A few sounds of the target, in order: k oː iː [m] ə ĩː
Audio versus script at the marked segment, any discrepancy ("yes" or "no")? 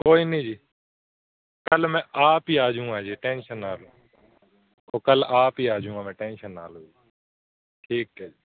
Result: yes